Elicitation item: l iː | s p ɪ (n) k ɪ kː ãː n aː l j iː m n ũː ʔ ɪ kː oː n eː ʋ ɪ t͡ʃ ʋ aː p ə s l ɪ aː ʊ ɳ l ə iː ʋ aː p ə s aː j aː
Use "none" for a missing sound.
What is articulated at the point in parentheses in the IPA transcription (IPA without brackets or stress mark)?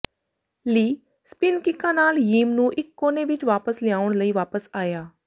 n